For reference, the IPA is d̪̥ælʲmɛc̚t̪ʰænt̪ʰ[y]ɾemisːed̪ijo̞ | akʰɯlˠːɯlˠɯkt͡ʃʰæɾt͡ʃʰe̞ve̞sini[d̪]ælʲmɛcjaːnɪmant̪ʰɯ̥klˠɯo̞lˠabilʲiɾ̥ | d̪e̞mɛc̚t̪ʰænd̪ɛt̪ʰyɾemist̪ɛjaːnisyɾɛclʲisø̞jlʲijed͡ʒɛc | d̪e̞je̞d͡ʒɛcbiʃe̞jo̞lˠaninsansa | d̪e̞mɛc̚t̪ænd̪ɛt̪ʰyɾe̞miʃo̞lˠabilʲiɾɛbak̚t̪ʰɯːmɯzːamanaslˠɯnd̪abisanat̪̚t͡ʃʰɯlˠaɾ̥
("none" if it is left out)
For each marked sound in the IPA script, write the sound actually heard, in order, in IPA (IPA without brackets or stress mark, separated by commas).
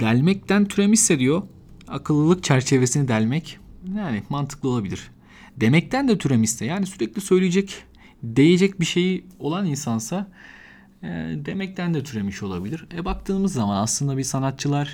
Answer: y, d̪